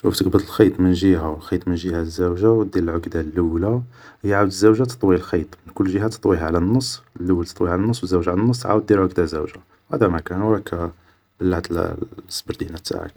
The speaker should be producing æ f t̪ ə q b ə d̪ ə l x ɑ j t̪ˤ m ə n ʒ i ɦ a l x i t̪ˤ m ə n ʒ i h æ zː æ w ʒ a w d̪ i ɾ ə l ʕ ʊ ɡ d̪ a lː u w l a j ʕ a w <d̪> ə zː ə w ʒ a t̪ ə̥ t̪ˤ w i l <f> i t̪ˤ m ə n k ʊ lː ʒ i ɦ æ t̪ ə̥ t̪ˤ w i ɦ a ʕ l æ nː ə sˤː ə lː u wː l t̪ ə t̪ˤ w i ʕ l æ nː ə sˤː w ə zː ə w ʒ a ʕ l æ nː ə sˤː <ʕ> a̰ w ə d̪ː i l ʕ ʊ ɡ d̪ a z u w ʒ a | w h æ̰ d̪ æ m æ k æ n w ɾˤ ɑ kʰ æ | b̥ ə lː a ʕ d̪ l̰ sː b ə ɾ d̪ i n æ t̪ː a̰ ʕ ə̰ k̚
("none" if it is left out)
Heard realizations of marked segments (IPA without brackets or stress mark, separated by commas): d̪, x, ʕ